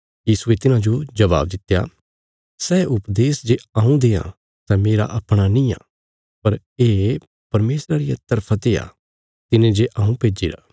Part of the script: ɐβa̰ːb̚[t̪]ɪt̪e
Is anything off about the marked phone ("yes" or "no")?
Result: yes